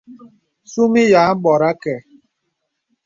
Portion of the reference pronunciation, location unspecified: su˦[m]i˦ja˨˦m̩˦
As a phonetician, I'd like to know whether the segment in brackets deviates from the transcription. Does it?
no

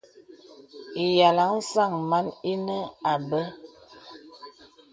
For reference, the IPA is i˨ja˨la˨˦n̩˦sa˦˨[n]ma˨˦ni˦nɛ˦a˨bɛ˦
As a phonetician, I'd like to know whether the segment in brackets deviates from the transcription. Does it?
yes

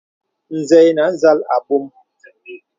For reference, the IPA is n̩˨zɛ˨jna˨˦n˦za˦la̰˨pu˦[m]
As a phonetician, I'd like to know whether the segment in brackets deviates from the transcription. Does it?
no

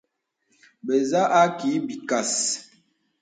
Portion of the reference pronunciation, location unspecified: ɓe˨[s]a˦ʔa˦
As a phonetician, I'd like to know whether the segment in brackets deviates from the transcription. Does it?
yes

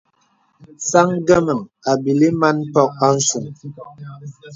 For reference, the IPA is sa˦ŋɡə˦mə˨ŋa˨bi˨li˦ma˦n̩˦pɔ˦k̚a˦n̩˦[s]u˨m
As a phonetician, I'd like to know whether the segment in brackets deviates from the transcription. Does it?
no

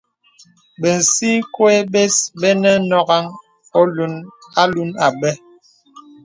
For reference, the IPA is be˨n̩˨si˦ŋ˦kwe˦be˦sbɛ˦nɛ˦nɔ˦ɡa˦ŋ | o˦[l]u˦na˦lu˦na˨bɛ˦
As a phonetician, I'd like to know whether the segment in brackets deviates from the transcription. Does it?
no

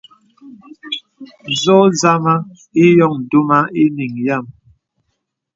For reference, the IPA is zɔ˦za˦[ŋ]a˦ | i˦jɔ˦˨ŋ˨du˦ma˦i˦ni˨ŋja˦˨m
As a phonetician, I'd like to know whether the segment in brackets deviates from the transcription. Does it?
yes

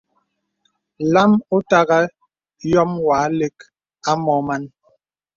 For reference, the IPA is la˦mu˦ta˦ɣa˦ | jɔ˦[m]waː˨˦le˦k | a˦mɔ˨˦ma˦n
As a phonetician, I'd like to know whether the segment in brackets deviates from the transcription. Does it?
no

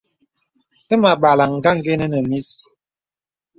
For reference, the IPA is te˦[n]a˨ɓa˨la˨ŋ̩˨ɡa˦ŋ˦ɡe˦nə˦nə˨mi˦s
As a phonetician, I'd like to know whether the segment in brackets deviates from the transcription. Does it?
yes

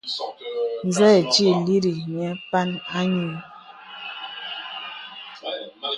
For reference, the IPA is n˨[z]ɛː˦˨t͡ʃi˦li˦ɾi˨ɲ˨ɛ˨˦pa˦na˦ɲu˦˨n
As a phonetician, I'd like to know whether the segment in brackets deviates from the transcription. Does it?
no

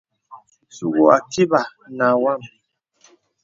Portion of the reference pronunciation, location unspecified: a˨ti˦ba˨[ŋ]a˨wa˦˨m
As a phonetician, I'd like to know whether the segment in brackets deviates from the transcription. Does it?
yes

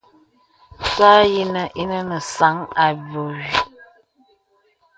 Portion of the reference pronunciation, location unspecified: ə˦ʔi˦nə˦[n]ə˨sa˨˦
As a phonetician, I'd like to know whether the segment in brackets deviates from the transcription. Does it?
no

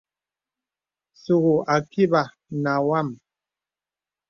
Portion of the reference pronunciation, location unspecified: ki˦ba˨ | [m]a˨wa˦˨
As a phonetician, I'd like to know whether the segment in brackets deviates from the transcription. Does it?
yes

